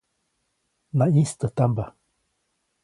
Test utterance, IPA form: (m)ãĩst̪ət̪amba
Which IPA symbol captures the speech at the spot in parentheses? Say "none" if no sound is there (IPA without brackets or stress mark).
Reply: n